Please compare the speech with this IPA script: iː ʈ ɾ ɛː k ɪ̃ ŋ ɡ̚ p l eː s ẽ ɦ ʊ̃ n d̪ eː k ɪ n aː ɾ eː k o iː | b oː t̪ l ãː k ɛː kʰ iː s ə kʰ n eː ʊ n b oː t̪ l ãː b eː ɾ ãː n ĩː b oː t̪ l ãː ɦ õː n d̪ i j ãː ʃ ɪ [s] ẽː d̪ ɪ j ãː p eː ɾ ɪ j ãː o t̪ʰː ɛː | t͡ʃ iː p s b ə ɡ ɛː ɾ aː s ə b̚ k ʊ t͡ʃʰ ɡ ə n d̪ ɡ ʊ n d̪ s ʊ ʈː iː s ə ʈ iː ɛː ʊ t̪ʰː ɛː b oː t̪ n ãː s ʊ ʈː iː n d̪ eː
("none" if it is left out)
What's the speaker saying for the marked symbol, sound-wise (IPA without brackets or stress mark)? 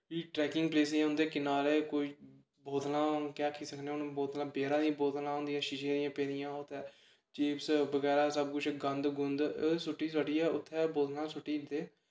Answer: ʃ